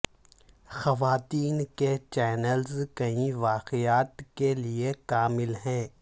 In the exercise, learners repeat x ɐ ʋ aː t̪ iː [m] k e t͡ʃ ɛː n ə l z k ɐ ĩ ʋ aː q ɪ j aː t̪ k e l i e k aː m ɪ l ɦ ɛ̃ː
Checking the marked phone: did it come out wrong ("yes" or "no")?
yes